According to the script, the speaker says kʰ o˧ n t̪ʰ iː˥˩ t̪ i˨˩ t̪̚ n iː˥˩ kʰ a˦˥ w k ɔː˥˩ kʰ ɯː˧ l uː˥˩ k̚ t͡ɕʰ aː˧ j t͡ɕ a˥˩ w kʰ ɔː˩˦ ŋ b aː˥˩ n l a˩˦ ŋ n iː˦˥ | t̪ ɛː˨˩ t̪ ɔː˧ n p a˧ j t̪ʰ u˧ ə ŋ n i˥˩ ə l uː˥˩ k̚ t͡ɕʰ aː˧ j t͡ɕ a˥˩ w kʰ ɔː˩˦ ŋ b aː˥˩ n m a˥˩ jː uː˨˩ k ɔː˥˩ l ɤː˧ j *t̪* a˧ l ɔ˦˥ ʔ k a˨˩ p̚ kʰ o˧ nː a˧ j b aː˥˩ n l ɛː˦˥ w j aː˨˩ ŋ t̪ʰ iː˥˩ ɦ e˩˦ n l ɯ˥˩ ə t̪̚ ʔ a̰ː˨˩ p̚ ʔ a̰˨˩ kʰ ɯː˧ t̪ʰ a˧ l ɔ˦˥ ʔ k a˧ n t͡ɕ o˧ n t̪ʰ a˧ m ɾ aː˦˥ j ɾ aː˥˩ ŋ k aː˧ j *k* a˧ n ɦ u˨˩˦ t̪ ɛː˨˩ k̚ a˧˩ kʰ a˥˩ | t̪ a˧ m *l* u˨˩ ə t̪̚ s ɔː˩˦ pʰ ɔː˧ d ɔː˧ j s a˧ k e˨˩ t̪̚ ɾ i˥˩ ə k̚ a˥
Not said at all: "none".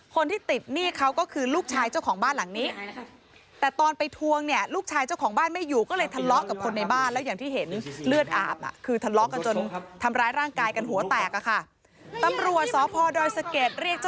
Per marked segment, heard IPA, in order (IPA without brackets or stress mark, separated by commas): t̪ʰ, k, ɾ